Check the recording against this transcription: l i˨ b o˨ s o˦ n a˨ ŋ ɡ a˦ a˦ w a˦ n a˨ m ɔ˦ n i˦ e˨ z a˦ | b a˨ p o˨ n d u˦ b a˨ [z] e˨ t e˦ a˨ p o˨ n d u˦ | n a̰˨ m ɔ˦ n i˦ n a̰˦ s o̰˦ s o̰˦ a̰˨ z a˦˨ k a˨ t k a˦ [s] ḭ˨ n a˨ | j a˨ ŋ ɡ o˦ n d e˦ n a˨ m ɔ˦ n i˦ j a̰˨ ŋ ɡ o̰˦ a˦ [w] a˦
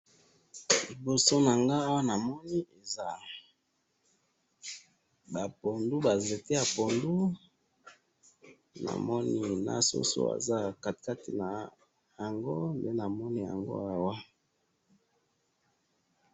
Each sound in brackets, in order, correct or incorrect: correct, incorrect, correct

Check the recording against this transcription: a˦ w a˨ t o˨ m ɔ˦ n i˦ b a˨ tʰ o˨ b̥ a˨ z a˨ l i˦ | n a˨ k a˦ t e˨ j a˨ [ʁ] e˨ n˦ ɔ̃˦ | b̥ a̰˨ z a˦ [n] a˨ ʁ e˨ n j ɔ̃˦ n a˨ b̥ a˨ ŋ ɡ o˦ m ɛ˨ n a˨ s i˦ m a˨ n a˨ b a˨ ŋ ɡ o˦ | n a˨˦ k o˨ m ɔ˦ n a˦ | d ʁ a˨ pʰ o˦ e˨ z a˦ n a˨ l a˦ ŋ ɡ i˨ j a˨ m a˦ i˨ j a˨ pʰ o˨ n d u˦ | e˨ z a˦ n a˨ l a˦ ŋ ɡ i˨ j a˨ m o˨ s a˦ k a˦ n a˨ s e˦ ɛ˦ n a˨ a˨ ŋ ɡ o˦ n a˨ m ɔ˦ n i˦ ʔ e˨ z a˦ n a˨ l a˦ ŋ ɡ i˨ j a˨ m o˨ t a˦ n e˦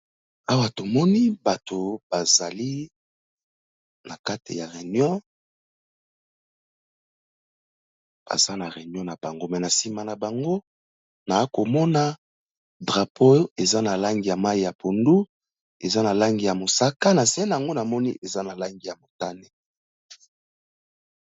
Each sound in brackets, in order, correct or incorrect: correct, correct

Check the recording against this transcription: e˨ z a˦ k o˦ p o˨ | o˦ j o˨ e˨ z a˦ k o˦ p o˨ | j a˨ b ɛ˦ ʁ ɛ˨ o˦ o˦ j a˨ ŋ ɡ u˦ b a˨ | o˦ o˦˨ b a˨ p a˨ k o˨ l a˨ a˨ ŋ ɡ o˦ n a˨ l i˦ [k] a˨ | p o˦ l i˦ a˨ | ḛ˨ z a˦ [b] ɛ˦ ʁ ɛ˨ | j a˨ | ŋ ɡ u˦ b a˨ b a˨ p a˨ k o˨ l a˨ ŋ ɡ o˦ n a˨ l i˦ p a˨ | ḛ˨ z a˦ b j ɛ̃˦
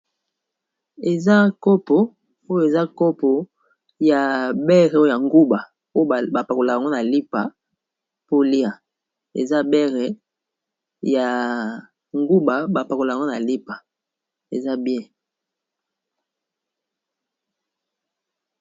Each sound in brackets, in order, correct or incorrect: incorrect, correct

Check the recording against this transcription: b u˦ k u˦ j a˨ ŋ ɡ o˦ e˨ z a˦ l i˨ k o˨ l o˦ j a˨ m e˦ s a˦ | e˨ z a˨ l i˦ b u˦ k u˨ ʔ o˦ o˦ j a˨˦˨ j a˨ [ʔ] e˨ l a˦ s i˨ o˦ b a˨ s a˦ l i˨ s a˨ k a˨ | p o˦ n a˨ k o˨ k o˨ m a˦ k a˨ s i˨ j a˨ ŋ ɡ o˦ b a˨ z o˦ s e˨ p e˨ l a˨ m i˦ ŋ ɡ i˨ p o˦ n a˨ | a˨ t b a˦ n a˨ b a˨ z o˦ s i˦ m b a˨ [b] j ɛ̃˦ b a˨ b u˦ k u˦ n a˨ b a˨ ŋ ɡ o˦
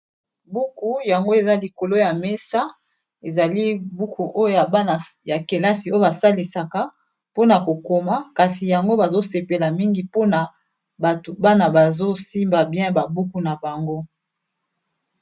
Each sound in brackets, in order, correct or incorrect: incorrect, correct

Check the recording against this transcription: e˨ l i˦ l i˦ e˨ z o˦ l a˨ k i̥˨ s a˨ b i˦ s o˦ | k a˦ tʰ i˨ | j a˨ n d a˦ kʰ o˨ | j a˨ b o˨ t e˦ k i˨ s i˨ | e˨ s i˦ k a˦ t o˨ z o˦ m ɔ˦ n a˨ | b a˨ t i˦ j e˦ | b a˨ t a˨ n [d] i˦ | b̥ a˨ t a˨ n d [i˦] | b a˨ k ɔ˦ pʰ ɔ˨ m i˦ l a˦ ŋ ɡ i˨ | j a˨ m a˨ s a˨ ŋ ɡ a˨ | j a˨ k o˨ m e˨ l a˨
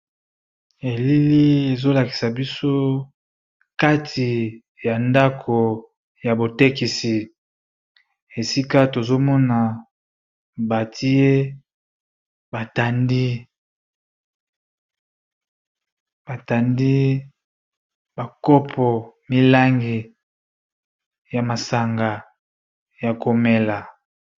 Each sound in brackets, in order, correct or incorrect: correct, correct

